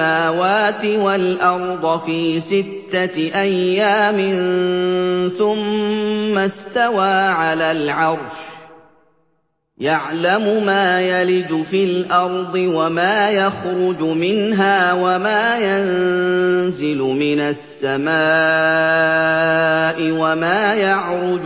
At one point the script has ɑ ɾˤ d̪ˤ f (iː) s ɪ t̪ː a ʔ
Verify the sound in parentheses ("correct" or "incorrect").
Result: correct